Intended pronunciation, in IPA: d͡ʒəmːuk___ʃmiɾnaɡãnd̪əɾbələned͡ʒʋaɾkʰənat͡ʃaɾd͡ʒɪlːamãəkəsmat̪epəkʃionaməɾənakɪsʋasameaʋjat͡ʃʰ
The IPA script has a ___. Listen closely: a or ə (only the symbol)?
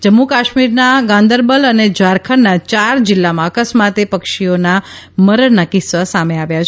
a